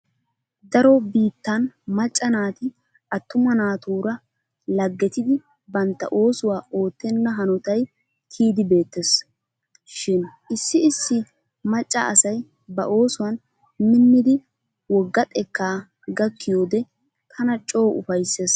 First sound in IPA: d̪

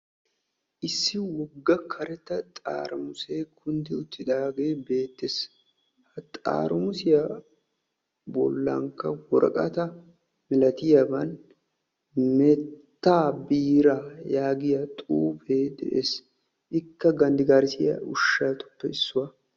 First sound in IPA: ʔ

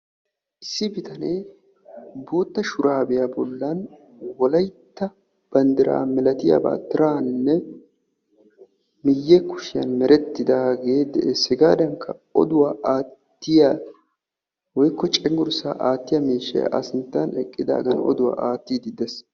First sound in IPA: ʔ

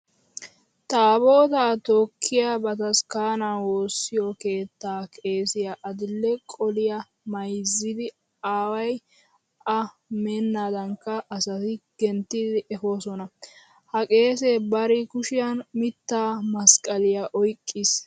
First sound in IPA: t̪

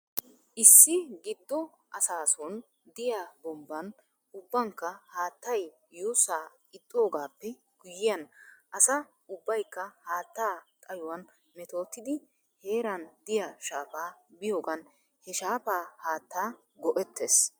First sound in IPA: ʔ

